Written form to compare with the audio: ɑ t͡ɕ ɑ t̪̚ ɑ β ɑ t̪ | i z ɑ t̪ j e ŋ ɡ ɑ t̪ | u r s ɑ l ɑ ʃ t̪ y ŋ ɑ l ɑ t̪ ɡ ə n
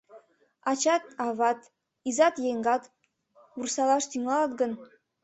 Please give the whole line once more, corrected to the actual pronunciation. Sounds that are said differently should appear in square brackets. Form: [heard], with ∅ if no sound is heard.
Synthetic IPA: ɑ t͡ɕ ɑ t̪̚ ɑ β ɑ t̪ | i z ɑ t̪ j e ŋ ɡ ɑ t̪ | u r s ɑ l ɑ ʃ t̪ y ŋ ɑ l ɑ t̪ ɡ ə n